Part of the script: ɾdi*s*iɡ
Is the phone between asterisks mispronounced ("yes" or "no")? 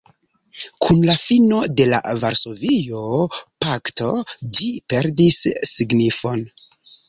yes